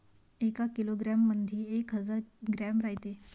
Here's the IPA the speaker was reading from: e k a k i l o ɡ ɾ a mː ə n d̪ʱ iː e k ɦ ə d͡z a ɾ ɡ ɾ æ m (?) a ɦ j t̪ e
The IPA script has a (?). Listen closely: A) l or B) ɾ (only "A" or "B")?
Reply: B